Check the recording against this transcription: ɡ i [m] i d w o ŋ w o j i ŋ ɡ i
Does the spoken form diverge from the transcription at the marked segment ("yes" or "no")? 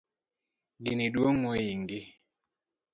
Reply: yes